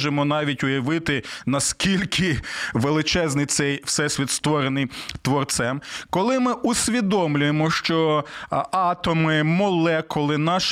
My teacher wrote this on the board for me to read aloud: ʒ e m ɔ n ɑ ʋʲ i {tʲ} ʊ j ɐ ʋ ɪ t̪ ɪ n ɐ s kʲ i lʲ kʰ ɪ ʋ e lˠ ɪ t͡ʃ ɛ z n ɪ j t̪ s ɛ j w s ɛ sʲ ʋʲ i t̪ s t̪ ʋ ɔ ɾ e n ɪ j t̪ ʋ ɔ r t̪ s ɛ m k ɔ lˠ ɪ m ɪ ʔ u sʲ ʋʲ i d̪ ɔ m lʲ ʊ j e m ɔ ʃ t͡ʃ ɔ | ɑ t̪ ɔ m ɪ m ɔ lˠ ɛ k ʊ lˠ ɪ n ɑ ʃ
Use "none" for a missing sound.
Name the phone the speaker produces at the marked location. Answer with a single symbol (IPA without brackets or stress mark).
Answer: tʲ